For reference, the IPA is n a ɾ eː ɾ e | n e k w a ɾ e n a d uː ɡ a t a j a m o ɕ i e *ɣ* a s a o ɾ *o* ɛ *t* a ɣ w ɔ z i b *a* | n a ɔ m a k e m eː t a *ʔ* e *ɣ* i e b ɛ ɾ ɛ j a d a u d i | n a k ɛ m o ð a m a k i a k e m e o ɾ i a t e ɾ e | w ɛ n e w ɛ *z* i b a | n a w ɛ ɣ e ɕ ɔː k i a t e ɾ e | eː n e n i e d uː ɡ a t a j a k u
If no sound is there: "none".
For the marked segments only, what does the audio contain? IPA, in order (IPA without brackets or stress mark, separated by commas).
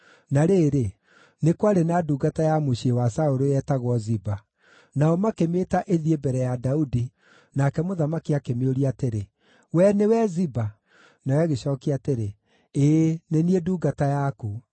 w, o, t, a, ʔ, ð, z